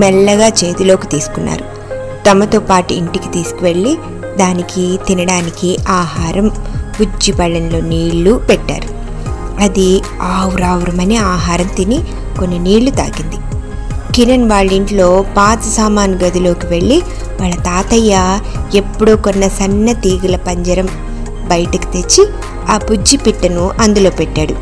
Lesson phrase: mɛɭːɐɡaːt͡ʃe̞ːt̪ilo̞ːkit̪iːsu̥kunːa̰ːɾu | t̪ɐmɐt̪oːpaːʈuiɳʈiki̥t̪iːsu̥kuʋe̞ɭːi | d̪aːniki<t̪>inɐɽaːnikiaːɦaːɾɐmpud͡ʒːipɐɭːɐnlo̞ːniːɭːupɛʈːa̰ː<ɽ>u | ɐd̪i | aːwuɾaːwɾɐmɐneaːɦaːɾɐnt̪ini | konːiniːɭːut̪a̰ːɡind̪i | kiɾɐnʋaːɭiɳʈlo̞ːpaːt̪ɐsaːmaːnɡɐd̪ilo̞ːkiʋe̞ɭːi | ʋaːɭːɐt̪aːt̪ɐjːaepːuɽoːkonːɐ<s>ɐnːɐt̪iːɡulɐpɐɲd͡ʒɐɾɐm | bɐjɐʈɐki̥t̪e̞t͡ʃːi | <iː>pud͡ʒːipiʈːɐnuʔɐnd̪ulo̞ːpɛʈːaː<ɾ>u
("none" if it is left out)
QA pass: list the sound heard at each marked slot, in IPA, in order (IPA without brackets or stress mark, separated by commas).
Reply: t̪, ɾ, s, aː, ɽ